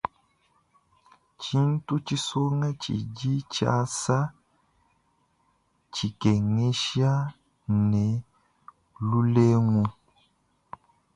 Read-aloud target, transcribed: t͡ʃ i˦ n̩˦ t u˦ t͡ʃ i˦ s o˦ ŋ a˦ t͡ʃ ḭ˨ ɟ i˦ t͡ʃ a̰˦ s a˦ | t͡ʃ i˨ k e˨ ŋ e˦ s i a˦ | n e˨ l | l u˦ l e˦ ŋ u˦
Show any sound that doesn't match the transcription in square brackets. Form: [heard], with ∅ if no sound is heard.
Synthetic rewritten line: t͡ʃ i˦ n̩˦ t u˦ t͡ʃ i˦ s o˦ ŋ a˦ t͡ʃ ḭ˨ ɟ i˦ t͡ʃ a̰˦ s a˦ | t͡ʃ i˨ k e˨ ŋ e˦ [ʃ] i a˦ | n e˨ [∅] | l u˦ l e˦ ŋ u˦